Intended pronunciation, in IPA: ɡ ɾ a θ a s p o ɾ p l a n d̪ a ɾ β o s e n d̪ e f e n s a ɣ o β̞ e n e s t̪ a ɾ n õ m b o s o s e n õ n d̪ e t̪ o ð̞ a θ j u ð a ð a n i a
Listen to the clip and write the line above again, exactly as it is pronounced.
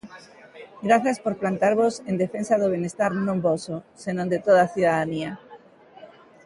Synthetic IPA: ɡ ɾ a θ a s p o ɾ p l a n t̪ a ɾ β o s e n d̪ e f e n s a ð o β̞ e n e s t̪ a ɾ n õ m b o s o s e n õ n d̪ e t̪ o ð̞ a θ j u ð a ð a n i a